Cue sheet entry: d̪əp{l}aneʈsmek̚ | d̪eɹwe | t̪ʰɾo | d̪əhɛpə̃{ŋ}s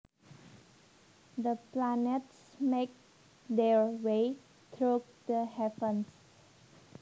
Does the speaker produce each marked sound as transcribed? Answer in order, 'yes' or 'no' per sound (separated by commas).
yes, no